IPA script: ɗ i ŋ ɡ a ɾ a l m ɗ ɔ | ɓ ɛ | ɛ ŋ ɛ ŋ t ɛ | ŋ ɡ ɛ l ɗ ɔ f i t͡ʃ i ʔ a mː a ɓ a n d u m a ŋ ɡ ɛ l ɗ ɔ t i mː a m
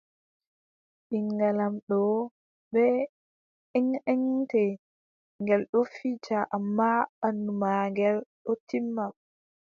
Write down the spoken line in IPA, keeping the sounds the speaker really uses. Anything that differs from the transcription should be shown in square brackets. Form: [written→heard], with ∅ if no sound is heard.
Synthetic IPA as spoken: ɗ i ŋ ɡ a [ɾ→l] a [l→∅] m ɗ ɔ | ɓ ɛ | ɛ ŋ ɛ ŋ t ɛ | ŋ ɡ ɛ l ɗ ɔ f i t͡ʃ [i→a] ʔ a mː a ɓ a n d u m a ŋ ɡ ɛ l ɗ ɔ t i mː a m